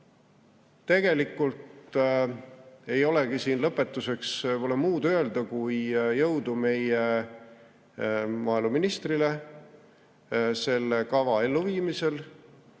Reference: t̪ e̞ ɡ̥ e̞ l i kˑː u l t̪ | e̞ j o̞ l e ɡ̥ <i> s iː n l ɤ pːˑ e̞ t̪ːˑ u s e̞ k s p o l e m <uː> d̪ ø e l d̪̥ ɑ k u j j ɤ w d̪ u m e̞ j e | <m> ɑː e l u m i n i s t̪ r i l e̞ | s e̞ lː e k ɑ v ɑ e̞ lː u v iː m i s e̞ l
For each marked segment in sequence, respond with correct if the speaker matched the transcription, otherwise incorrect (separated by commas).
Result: correct, correct, correct